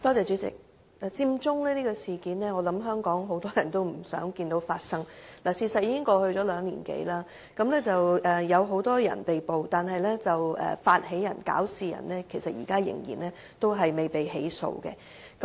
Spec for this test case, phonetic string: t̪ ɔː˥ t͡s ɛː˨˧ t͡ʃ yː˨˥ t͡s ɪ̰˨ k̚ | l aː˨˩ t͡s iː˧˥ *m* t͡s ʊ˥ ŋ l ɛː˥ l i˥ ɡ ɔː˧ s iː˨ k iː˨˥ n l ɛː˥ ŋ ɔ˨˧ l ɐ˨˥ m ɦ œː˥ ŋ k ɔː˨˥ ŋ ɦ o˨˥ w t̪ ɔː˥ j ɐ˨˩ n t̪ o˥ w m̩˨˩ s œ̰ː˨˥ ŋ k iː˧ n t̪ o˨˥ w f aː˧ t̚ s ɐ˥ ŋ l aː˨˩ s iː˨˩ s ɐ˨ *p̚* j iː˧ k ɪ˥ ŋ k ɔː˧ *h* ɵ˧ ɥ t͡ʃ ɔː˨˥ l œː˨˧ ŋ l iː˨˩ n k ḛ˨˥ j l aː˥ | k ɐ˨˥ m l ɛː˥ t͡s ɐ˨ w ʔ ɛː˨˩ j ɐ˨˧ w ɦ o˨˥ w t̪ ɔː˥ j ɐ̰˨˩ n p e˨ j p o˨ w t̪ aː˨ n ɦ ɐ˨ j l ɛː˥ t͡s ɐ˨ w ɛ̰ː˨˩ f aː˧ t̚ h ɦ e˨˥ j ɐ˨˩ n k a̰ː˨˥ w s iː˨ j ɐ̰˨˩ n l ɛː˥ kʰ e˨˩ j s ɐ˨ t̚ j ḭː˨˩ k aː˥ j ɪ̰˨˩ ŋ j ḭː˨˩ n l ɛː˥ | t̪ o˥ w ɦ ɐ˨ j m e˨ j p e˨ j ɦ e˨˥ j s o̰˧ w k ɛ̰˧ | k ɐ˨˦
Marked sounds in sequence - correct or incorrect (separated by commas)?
correct, incorrect, correct